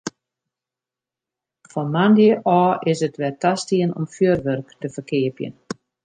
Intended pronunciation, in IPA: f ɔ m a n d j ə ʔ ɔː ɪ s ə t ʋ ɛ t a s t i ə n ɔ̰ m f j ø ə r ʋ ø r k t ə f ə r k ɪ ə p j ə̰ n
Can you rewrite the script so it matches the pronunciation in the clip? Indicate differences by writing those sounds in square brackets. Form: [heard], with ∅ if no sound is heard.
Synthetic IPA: f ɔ m a n d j ə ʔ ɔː ɪ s ə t ʋ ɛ t a s t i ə n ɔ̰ m f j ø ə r ʋ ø r k t ə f ə r k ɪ ə p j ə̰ n